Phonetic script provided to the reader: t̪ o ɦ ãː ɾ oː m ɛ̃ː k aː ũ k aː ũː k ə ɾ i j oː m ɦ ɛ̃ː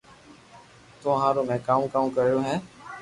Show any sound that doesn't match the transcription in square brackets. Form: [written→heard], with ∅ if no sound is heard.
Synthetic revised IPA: t̪ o ɦ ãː ɾ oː m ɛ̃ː k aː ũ k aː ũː k ə ɾ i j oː [m→∅] ɦ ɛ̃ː